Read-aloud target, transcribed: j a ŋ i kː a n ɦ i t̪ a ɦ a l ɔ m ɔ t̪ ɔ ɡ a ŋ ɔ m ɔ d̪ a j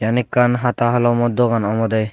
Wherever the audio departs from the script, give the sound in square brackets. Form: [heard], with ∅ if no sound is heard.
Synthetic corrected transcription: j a [n] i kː a n ɦ [a] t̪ a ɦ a l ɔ m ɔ [d̪] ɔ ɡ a [n] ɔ m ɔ d̪ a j